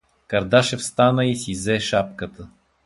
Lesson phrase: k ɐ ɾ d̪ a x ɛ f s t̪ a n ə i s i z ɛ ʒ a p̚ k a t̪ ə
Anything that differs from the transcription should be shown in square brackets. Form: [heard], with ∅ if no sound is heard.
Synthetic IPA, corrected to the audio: k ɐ ɾ d̪ a [ʃ] ɛ f s t̪ a n ə i s i z ɛ [ʃ] a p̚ k [ə] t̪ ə